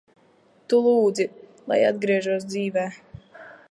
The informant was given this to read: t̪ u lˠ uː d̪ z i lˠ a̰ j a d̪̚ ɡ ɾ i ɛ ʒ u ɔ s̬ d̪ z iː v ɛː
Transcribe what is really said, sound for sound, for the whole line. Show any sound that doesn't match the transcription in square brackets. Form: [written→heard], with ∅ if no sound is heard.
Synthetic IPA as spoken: t̪ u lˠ uː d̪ z i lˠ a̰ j a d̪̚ ɡ ɾ i ɛ ʒ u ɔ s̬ d̪ z iː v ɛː